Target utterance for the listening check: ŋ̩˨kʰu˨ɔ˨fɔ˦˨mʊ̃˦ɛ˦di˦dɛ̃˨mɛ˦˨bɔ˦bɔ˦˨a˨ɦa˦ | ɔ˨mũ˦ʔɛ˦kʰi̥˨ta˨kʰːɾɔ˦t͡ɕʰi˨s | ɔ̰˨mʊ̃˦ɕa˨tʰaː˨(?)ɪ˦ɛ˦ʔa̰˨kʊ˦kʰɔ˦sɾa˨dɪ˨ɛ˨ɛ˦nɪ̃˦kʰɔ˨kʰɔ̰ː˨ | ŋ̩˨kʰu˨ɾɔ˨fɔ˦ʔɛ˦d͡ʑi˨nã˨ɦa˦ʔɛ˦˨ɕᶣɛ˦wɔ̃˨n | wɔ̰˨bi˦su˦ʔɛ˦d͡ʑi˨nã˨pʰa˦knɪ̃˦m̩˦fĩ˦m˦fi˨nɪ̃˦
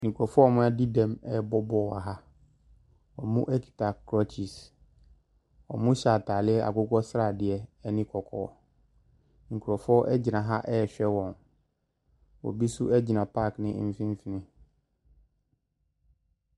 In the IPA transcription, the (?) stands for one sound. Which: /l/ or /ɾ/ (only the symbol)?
l